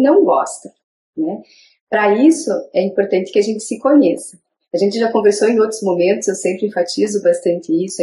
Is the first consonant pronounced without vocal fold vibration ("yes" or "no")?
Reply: no